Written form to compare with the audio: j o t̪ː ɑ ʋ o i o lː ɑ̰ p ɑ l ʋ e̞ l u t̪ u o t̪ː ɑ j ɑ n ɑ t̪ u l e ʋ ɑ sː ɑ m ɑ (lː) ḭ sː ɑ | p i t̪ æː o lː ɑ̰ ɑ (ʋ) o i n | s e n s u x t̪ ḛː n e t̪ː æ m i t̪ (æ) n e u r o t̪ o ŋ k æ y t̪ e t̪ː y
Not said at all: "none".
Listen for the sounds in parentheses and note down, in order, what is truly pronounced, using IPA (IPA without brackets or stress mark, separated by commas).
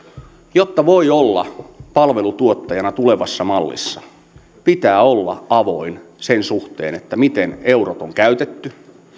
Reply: lː, ʋ, e